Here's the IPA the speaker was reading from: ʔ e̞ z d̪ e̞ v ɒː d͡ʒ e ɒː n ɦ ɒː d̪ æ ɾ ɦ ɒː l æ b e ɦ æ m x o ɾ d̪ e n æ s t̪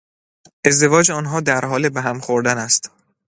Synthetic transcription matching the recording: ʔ e̞ z d̪ e̞ v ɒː d͡ʒ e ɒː n ɦ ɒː d̪ æ ɾ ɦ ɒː l e b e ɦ æ m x o ɾ d̪ æ n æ s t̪